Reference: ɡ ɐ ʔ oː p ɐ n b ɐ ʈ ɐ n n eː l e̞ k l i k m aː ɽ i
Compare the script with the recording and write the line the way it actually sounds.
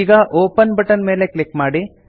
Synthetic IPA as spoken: ɡ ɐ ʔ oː p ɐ n b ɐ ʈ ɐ n m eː l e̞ k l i k m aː ɽ i